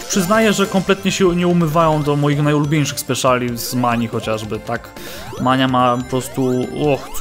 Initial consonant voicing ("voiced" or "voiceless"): voiceless